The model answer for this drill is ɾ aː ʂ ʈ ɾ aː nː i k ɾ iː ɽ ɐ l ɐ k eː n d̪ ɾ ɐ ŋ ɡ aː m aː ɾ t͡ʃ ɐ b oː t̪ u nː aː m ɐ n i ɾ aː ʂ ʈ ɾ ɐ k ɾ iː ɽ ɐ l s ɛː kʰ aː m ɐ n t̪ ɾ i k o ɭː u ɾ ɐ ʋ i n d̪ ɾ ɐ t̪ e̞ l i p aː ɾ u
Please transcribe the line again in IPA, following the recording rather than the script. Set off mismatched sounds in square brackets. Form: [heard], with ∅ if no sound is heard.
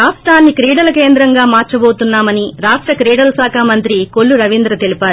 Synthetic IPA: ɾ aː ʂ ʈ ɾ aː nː i k ɾ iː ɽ ɐ l ɐ k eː n d̪ ɾ ɐ ŋ ɡ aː m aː ɾ t͡ʃ ɐ b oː t̪ u nː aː m ɐ n i ɾ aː ʂ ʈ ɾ ɐ k ɾ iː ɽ ɐ l s [aː] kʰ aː m ɐ n t̪ ɾ i k o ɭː u ɾ ɐ ʋ i n d̪ ɾ ɐ t̪ e̞ l i p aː ɾ u